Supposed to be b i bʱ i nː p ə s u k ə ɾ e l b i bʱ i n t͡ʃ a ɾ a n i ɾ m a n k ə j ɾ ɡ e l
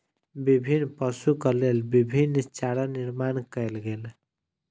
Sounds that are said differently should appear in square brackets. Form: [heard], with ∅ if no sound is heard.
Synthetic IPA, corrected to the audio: b i bʱ i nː p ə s u k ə [l] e l b i bʱ i n t͡ʃ a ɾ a n i ɾ m a n k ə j [l] ɡ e l